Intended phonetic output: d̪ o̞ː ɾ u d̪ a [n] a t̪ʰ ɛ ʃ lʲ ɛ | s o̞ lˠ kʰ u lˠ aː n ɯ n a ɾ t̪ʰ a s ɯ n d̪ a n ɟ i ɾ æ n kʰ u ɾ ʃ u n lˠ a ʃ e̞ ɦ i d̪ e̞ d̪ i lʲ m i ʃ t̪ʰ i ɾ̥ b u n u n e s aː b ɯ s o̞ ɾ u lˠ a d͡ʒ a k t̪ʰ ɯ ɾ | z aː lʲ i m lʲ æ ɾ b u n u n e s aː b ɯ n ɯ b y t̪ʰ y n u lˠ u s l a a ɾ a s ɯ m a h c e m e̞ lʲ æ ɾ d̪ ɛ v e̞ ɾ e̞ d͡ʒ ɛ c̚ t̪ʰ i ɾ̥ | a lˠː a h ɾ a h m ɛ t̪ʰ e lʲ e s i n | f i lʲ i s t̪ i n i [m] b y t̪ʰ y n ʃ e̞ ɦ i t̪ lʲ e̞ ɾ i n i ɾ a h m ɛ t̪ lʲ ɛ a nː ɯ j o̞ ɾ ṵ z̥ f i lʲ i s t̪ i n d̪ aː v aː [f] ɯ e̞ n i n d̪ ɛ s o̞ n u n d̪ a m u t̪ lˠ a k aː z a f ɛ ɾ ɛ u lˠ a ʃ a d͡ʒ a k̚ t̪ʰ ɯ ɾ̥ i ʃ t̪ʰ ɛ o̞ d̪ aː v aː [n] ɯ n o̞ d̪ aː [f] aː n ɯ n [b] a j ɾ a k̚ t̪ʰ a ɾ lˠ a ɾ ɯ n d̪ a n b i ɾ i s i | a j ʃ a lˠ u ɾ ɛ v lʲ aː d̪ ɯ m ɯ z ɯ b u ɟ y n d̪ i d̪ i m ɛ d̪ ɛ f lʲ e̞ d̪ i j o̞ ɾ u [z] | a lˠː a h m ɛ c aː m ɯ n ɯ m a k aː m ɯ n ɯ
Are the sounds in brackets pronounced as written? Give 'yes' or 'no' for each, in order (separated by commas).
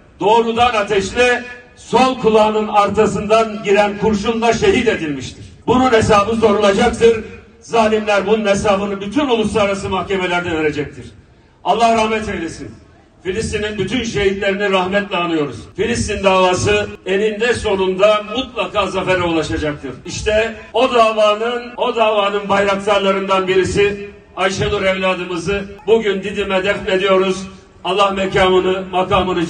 yes, no, no, yes, no, yes, yes